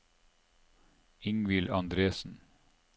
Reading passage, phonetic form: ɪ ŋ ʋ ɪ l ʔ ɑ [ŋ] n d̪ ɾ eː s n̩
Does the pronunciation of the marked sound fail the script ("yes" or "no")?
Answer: yes